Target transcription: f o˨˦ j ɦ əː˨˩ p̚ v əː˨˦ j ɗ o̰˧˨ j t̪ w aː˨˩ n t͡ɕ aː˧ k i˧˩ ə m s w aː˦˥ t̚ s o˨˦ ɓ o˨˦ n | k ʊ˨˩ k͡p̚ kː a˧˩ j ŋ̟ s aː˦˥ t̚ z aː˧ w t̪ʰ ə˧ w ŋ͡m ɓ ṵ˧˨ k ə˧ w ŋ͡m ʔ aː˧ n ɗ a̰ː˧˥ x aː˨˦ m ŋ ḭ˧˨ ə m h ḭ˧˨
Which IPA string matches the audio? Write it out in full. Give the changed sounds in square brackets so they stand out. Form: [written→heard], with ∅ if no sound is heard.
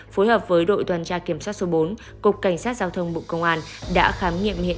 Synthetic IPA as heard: f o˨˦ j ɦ əː˨˩ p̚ v əː˨˦ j ɗ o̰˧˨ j t̪ w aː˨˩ n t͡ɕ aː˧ k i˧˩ ə m s w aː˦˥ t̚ s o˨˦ ɓ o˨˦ n | k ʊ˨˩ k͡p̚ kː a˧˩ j ŋ̟ s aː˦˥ t̚ z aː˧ w t̪ʰ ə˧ w ŋ͡m ɓ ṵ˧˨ k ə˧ w ŋ͡m ʔ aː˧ n ɗ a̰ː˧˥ x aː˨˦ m ŋ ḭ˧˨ ə m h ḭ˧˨